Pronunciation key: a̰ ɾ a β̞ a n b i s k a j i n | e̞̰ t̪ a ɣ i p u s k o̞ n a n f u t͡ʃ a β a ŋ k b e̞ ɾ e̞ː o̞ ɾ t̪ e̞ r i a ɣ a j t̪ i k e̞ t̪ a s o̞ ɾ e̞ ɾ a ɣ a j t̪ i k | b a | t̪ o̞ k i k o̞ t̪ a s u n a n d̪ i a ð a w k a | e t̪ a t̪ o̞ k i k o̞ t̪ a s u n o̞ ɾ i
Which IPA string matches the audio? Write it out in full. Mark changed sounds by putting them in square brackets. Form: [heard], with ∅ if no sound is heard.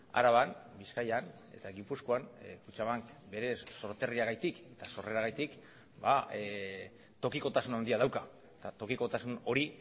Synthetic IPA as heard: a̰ ɾ a β̞ a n b i s k a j [a] n | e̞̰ t̪ a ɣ i p u s k o̞ [∅] a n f u t͡ʃ a β a ŋ k b e̞ ɾ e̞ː o̞ ɾ t̪ e̞ r i a ɣ a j t̪ i k e̞ t̪ a s o̞ [r] e̞ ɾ a ɣ a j t̪ i k | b a | t̪ o̞ k i k o̞ t̪ a s u n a n d̪ i a ð a w k a | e t̪ a t̪ o̞ k i k o̞ t̪ a s u n o̞ ɾ i